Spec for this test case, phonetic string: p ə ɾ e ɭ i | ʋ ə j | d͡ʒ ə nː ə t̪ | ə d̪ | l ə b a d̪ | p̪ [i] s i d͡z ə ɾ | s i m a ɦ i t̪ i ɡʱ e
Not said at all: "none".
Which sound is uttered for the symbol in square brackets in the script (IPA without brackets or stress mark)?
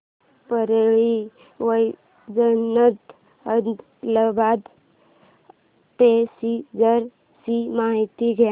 e